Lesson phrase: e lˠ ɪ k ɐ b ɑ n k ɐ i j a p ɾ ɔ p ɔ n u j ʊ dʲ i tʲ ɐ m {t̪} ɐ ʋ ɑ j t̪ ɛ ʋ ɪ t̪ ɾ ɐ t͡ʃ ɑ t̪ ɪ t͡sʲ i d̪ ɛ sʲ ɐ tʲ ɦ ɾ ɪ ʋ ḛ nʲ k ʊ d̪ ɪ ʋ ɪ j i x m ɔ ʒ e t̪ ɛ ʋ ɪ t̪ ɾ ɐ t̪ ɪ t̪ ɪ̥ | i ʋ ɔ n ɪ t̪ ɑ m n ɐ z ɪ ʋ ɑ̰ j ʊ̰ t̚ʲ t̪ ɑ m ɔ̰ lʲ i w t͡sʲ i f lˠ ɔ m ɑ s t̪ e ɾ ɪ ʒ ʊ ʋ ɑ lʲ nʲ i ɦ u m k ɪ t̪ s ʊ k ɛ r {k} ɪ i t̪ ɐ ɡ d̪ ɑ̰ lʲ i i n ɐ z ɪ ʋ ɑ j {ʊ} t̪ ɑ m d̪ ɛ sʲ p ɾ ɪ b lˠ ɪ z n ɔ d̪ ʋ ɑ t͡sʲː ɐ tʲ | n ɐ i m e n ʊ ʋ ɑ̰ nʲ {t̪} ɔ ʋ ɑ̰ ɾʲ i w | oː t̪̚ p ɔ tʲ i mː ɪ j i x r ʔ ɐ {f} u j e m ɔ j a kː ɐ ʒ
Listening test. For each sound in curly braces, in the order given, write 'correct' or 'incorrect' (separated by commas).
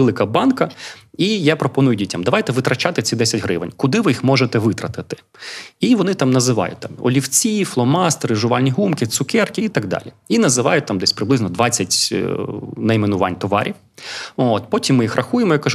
incorrect, correct, correct, correct, incorrect